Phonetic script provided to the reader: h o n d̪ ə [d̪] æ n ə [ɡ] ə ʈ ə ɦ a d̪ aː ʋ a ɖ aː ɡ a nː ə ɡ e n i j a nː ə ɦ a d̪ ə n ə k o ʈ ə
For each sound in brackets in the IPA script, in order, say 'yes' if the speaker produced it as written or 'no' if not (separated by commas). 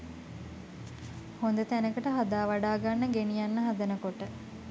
no, no